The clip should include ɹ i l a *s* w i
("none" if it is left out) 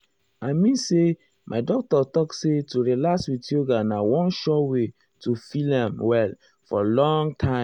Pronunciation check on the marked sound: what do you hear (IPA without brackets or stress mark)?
s